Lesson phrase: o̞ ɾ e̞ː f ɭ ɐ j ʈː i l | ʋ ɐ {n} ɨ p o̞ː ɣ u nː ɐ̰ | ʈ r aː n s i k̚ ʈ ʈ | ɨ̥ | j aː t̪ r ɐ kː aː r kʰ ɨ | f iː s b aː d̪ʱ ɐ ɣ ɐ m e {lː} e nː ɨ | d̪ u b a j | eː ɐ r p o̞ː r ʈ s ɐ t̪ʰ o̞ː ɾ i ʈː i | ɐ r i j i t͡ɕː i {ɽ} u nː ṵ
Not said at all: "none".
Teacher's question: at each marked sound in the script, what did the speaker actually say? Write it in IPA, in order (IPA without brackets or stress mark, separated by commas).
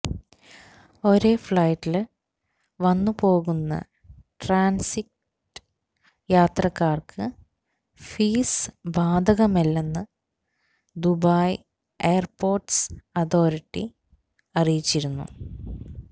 nː, lː, ɾ